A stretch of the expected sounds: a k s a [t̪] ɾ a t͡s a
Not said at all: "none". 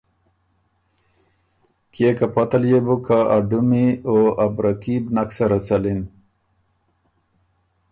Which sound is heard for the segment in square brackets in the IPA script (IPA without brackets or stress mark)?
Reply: none